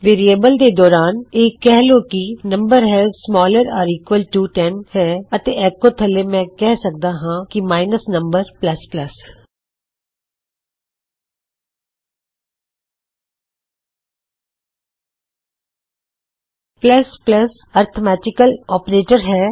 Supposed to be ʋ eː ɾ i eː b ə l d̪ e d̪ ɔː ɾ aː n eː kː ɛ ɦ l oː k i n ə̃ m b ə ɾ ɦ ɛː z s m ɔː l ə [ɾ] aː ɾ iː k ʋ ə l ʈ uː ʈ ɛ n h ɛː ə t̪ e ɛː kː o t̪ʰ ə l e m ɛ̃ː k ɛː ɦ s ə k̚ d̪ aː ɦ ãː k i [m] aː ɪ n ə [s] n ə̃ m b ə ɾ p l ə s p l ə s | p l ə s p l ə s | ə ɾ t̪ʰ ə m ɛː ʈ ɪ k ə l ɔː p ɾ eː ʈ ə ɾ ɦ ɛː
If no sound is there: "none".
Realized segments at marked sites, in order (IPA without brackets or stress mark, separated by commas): ɾ, m, s